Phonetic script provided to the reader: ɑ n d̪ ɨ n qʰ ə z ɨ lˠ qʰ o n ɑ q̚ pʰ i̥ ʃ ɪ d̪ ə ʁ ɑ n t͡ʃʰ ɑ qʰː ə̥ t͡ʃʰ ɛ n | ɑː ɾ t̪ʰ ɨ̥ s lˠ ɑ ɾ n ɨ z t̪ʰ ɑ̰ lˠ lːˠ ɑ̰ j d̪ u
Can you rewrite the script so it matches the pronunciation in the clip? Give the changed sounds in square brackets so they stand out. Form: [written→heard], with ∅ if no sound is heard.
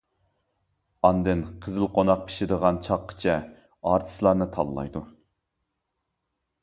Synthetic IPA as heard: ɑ n d̪ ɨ n qʰ ə z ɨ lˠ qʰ o n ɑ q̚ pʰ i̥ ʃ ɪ d̪ ə ʁ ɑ n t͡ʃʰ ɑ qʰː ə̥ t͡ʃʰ ɛ [n→∅] | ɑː ɾ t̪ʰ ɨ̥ s lˠ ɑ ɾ n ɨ [z→∅] t̪ʰ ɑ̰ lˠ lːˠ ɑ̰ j d̪ u

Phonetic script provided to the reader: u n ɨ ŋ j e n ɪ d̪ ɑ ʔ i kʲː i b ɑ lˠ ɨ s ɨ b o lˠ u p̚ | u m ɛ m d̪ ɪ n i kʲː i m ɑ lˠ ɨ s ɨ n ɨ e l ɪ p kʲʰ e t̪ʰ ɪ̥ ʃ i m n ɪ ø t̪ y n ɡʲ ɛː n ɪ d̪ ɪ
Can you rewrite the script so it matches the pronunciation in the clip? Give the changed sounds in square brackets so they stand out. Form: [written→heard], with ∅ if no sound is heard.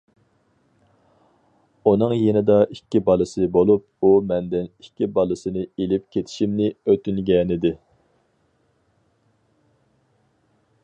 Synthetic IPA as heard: u n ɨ ŋ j e n ɪ d̪ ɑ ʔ i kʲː i b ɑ lˠ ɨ s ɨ b o lˠ u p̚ | u m ɛ [m→n] d̪ ɪ n i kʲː i [m→b] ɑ lˠ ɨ s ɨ n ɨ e l ɪ p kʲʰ e t̪ʰ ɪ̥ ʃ i m n ɪ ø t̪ y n ɡʲ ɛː n ɪ d̪ ɪ

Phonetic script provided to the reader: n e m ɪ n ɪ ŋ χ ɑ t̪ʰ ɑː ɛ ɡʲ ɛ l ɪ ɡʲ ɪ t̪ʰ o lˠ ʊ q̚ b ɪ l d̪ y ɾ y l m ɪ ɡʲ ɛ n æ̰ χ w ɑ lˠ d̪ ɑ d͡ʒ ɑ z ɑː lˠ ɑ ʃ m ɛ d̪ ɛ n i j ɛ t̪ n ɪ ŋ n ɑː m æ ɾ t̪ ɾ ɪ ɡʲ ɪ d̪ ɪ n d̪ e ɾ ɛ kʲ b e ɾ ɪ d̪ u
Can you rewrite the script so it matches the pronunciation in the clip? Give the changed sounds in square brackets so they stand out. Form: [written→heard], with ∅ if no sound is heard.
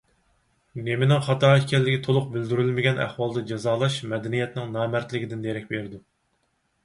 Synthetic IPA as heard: n e m ɪ n ɪ ŋ χ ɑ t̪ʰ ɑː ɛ [ɡʲ→kʲ] ɛ [l→lː] ɪ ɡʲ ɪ t̪ʰ o lˠ ʊ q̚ b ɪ l d̪ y ɾ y l m ɪ ɡʲ ɛ n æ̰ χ w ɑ lˠ d̪ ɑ d͡ʒ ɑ z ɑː lˠ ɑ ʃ m ɛ d̪ ɛ n i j ɛ t̪ n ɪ ŋ n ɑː m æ ɾ t̪ [ɾ→l] ɪ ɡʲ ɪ d̪ ɪ n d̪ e ɾ ɛ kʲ b e ɾ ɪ d̪ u

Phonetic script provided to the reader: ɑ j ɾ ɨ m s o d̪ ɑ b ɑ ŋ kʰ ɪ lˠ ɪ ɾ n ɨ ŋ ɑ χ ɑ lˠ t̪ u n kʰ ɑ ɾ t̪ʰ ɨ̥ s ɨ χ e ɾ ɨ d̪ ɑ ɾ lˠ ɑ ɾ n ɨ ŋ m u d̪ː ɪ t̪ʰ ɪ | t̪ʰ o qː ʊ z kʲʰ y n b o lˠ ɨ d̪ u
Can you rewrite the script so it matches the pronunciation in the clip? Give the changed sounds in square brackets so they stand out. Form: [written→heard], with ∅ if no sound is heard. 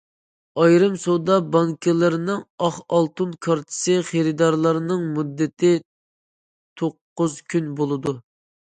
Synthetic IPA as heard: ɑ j ɾ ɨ m s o d̪ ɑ b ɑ ŋ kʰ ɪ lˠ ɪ ɾ n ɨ ŋ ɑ χ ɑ lˠ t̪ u n kʰ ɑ ɾ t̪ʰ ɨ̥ s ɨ χ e ɾ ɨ d̪ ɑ ɾ lˠ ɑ ɾ n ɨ ŋ m u d̪ː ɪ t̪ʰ ɪ | t̪ʰ o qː ʊ z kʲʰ y n b o lˠ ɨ d̪ u

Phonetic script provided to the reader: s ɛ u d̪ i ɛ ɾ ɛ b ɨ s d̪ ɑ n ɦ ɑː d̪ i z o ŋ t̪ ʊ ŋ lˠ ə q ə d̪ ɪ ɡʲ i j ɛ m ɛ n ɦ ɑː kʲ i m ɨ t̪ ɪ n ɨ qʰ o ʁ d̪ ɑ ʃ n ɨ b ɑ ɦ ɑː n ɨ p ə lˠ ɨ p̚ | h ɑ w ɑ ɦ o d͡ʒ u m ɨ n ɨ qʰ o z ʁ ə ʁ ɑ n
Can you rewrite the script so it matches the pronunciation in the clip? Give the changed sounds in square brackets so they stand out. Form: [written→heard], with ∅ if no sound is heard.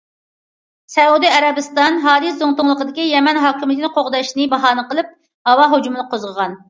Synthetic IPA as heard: s ɛ u d̪ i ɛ ɾ ɛ b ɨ s [d̪→t̪] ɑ n ɦ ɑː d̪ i z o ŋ t̪ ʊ ŋ lˠ ə q ə d̪ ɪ [ɡʲ→kʲ] i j ɛ m ɛ n ɦ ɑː kʲ i m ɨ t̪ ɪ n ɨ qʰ o ʁ d̪ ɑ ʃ n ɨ b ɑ ɦ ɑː n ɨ [p→q] ə lˠ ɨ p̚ | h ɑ w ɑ ɦ o d͡ʒ u m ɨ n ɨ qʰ o z ʁ ə ʁ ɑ n

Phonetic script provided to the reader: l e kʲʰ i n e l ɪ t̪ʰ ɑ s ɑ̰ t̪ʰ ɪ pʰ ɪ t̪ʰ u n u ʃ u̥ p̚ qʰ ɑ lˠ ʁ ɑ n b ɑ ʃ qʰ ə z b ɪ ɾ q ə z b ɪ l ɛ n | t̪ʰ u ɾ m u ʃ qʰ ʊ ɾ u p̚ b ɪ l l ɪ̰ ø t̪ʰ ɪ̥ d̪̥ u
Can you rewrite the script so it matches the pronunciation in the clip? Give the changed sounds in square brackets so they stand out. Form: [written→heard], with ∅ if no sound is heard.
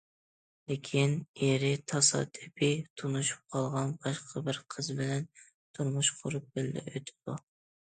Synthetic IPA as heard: l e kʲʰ i n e [l→ɾ] ɪ t̪ʰ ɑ s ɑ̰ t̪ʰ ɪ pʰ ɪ t̪ʰ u n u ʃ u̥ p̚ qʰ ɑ lˠ ʁ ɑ n b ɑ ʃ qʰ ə [z→∅] b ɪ ɾ [q→qʰ] ə z b ɪ l ɛ n | t̪ʰ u ɾ m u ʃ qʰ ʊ ɾ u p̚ b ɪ l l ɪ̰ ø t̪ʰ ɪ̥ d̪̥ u

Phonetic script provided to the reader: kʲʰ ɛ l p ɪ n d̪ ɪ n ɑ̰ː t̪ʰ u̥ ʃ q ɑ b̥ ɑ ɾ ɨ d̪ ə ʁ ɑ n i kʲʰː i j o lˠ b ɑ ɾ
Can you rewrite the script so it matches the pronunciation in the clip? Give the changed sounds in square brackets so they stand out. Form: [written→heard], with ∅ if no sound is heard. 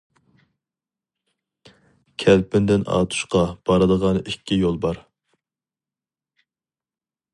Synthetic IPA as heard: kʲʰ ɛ l p ɪ n d̪ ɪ n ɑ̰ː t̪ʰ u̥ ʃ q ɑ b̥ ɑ ɾ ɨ d̪ ə ʁ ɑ n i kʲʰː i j o lˠ b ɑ ɾ

